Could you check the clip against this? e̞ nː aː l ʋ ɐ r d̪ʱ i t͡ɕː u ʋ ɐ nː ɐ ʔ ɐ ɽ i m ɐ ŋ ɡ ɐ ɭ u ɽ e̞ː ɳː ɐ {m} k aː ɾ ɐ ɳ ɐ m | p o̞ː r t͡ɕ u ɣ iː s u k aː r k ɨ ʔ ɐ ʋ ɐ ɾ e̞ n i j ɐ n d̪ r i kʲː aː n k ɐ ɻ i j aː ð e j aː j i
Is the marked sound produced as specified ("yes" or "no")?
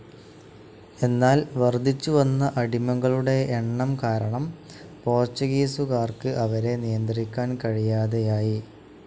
yes